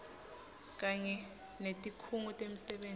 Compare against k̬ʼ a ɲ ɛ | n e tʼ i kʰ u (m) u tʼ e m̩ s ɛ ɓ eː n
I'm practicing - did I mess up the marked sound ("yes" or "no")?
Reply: yes